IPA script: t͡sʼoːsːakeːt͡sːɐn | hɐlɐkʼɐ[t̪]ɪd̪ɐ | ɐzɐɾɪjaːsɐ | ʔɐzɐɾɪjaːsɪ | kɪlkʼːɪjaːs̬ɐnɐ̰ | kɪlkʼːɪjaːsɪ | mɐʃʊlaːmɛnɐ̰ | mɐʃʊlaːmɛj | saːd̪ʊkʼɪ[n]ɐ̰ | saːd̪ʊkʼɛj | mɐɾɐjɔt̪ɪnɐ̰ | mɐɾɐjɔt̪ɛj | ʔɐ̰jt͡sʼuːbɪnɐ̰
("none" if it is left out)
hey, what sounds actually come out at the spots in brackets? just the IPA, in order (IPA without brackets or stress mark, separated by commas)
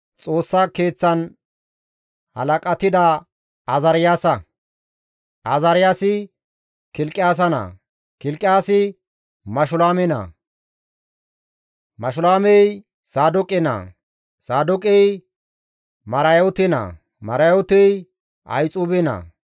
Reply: t̪, n